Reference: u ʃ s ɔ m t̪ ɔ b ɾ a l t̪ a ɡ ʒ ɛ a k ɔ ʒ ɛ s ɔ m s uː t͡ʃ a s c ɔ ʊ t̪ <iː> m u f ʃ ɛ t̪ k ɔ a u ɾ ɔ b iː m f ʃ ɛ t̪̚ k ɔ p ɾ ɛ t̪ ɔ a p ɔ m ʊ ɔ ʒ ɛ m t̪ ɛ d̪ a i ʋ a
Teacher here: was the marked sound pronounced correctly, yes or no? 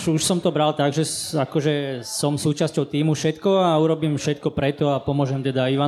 yes